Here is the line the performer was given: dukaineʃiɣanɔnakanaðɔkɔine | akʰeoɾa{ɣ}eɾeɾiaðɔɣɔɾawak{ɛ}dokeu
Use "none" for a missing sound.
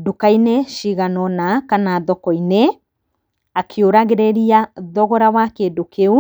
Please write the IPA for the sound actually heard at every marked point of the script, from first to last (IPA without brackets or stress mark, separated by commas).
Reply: ɣ, e